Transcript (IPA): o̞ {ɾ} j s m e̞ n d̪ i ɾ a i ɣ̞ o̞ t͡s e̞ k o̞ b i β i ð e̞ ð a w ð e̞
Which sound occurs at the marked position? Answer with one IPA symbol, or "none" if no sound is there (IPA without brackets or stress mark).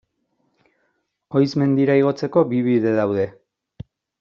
none